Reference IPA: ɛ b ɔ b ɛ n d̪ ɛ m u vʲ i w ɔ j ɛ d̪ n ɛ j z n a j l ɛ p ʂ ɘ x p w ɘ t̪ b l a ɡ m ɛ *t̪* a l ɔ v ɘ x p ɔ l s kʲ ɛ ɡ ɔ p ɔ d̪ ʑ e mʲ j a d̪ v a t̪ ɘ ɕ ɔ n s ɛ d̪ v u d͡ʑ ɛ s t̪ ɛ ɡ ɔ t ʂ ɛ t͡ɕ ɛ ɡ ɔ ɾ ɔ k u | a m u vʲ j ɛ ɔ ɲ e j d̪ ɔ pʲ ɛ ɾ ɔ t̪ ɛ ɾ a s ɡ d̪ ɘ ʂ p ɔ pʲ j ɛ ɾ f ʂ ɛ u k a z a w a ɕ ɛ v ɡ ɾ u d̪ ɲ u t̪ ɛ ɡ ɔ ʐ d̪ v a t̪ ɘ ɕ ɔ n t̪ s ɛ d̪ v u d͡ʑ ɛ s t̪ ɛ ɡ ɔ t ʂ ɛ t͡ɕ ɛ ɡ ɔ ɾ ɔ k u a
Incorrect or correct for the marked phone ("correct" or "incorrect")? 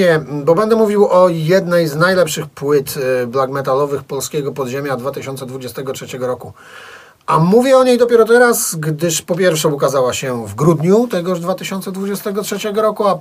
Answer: correct